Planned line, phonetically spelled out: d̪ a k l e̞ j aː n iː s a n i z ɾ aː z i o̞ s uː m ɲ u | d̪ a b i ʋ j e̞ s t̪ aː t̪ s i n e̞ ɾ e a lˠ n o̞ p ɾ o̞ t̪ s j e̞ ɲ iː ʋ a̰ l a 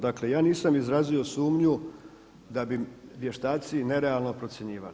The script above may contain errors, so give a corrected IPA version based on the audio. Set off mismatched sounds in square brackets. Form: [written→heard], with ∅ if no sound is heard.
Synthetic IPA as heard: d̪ a k l e̞ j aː n iː s a [n→m] i z ɾ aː z i o̞ s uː m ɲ u | d̪ a b i ʋ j e̞ [s→ʃ] t̪ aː t̪ s i n e̞ ɾ e a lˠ n o̞ p ɾ o̞ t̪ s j e̞ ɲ iː ʋ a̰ l [a→i]